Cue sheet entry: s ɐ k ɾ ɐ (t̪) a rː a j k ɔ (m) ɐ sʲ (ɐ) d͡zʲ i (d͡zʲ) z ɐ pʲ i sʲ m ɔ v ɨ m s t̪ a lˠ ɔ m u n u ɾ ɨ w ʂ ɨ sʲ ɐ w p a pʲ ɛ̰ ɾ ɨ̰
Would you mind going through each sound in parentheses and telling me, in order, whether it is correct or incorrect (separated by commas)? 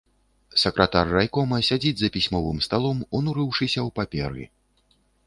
correct, correct, incorrect, correct